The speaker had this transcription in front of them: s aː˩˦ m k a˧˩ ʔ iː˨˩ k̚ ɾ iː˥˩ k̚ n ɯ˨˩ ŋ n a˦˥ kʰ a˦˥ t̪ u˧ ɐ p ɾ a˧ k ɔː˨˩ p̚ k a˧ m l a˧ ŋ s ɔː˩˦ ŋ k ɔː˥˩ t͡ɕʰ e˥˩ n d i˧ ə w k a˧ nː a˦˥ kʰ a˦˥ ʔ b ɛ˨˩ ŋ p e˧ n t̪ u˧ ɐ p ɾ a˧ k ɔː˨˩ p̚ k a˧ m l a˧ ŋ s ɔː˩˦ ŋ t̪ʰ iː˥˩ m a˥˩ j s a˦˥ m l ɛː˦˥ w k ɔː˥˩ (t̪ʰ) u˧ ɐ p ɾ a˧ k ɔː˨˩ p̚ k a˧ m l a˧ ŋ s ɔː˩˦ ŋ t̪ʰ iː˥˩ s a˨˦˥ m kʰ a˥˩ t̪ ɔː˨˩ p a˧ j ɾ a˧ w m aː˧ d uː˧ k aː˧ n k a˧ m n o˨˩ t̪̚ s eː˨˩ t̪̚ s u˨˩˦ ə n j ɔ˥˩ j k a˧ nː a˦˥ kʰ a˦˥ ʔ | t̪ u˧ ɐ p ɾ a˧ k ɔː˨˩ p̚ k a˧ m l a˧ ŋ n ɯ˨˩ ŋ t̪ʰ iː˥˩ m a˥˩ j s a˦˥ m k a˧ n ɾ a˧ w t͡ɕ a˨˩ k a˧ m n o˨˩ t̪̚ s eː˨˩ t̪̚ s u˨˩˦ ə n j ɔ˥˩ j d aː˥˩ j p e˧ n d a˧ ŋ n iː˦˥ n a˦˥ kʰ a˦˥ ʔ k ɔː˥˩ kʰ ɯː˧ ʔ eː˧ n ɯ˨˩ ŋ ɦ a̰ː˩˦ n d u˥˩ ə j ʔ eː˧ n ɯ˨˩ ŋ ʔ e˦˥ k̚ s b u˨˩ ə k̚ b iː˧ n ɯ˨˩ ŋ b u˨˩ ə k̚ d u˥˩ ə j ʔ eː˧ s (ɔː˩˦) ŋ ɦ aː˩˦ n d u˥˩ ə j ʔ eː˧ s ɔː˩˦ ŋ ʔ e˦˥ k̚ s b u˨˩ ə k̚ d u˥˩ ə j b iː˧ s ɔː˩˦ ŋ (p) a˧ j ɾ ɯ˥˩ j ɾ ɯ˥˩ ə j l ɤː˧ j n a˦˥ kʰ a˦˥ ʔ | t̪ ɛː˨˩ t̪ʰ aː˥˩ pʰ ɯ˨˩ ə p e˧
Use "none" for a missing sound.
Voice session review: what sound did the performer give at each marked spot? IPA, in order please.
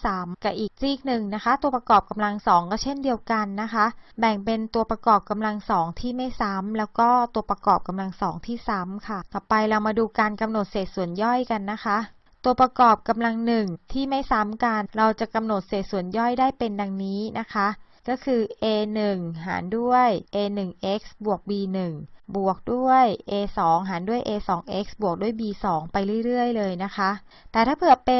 t̪, ɔː˩˦, p

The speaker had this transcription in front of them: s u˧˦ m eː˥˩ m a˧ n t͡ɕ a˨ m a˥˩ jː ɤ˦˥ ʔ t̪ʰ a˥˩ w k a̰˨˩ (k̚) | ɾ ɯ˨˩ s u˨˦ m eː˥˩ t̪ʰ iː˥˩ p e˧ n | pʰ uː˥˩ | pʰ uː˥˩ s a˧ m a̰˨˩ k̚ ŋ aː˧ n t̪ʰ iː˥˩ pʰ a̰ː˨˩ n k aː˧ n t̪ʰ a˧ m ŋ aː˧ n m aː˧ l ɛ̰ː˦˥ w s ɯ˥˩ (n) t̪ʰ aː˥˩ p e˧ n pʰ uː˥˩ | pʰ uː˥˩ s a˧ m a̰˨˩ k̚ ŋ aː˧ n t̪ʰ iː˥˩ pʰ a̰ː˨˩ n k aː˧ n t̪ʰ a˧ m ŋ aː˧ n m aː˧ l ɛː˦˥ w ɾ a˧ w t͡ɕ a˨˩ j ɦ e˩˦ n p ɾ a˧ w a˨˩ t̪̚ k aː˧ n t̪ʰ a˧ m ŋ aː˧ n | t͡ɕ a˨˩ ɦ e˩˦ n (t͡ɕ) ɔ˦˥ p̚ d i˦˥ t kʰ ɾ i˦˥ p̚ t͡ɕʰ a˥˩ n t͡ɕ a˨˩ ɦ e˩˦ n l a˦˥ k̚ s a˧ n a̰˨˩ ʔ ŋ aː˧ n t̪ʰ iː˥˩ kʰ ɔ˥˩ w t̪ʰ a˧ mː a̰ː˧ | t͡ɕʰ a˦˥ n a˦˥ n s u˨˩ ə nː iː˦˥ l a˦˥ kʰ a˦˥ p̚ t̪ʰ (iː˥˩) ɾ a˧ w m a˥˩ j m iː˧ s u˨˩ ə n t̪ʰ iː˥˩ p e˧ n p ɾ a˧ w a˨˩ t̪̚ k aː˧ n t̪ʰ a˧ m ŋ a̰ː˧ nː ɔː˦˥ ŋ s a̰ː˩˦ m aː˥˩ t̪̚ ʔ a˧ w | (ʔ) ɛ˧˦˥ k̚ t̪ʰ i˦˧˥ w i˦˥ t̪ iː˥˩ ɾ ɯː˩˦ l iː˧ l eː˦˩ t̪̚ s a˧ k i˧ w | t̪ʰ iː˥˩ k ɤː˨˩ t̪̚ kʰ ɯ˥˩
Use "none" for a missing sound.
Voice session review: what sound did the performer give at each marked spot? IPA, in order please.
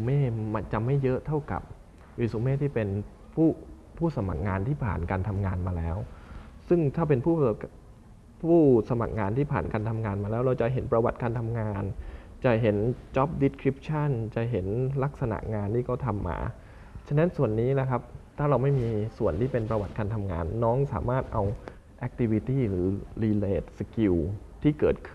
p̚, ŋ, t͡ɕ, aː˥˩, ʔ

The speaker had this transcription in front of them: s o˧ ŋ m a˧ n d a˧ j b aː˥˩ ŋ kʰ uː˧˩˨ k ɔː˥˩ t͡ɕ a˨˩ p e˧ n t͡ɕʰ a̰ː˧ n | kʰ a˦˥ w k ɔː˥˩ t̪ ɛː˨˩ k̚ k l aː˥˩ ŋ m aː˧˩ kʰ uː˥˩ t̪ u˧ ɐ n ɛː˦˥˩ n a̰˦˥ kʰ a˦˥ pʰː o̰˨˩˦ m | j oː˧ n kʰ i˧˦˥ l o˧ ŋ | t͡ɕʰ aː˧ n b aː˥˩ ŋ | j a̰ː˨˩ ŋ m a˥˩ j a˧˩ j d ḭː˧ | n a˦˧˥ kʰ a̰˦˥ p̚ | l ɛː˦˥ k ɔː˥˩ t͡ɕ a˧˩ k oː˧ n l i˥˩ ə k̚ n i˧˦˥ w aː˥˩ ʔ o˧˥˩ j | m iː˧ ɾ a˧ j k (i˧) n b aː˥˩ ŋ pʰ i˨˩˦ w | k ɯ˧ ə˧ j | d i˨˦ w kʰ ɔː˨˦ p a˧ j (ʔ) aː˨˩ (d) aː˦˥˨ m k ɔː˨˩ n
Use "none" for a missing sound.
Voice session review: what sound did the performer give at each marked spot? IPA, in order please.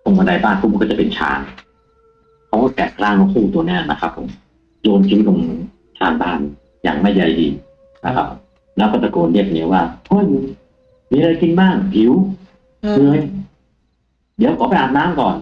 i˧, ʔ, n

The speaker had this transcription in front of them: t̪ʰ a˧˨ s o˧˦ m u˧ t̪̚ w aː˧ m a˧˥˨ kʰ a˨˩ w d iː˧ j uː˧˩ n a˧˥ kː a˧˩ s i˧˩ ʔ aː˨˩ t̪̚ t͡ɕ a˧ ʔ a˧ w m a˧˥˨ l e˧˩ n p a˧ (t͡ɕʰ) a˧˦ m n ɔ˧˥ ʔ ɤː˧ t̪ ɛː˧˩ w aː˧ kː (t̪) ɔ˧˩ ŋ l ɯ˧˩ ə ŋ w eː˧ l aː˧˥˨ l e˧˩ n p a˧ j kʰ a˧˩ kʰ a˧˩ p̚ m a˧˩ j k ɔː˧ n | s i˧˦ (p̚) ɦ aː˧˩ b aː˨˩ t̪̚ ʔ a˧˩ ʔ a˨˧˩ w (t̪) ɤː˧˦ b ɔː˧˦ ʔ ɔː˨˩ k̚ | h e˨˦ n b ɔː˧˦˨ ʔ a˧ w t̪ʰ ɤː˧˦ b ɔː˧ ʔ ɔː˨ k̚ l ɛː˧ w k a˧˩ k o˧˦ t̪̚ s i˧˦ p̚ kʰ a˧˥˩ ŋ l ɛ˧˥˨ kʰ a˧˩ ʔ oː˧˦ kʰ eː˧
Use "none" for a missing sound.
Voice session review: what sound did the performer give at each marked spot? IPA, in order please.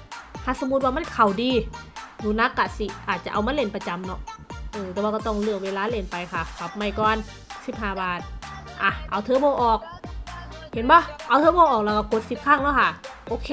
t͡ɕ, t̪, p̚, t̪ʰ

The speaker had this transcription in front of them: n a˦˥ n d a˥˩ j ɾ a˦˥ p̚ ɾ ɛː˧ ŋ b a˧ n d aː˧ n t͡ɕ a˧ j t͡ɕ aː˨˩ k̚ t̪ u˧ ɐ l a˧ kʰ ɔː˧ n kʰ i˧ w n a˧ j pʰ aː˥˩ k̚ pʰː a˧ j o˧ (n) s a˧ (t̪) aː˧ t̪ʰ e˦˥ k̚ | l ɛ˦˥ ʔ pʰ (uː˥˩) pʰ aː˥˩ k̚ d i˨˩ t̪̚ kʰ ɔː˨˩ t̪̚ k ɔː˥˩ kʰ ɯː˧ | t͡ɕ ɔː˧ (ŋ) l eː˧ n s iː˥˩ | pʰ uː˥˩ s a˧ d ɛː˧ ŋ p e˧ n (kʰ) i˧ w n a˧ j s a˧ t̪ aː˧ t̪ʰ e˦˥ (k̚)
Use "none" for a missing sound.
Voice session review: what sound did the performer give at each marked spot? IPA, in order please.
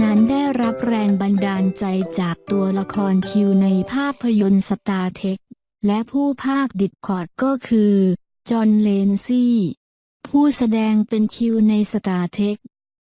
n, t̪, uː˥˩, n, kʰ, k̚

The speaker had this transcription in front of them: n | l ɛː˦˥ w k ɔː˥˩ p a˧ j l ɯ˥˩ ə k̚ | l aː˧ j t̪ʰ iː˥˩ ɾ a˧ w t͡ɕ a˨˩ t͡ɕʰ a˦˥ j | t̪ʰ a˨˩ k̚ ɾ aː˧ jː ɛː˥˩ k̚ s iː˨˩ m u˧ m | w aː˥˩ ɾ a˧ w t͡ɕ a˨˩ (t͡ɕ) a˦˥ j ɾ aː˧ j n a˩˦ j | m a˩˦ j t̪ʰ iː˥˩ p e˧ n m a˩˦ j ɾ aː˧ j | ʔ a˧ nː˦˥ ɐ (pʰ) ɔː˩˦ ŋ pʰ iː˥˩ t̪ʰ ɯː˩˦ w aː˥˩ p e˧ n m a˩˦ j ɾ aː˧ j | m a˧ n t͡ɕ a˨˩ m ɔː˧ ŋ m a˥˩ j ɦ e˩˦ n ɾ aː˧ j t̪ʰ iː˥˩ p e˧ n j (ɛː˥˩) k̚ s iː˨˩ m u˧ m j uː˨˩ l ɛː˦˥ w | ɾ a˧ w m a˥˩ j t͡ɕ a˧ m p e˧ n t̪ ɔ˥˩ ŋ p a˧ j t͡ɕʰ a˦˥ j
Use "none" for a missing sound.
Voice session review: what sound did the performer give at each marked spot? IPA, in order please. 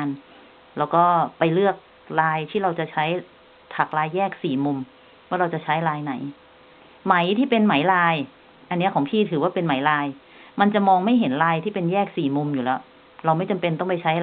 t͡ɕʰ, kʰ, ɛː˥˩

